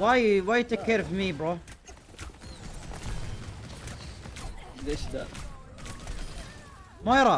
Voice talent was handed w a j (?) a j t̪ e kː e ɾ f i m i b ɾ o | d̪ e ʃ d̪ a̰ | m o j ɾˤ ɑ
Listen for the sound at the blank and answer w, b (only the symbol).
w